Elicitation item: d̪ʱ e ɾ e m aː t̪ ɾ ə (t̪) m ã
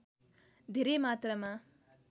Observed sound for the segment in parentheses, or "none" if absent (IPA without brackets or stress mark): none